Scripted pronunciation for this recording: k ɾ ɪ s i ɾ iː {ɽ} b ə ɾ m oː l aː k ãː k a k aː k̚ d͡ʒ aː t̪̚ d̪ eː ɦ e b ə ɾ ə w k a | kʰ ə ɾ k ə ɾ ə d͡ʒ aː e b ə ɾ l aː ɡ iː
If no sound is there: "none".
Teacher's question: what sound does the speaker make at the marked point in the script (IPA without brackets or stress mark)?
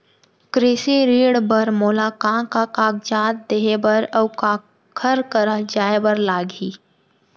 ɽ